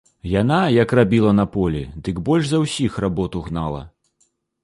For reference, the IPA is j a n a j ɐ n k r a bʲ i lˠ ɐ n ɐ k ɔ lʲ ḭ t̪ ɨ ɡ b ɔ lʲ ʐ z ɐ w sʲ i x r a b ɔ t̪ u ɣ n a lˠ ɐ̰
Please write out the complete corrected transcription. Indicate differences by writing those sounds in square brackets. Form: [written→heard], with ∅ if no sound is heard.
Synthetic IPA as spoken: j a n a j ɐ [n→∅] k r a bʲ i lˠ ɐ n ɐ [k→p] ɔ lʲ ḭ [t̪→d̪] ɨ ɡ b ɔ lʲ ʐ z ɐ w sʲ i x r a b ɔ t̪ u ɣ n a lˠ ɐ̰